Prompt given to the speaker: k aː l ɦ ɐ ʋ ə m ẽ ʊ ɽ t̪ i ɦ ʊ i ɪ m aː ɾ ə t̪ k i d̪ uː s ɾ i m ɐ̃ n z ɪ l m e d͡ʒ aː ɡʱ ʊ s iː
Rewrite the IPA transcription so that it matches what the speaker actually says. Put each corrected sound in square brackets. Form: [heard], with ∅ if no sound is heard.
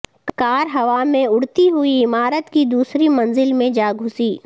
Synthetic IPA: k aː [ɾ] ɦ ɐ ʋ [a] m ẽ ʊ ɽ t̪ i ɦ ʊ i ɪ m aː ɾ ə t̪ k i d̪ uː s ɾ i m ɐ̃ n z ɪ l m [ẽ] d͡ʒ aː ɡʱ ʊ s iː